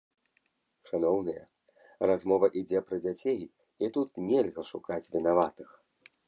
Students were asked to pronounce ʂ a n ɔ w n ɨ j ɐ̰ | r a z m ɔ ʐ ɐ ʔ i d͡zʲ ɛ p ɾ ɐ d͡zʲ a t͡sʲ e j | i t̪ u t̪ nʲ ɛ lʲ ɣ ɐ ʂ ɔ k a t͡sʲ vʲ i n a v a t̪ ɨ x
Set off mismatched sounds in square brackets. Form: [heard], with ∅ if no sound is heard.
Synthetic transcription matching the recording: ʂ a n ɔ w n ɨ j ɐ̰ | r a z m ɔ [v] ɐ ʔ i d͡zʲ ɛ p ɾ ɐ d͡zʲ a t͡sʲ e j | i t̪ u t̪ nʲ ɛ lʲ ɣ ɐ ʂ [u] k a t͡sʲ vʲ i n a v a t̪ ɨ x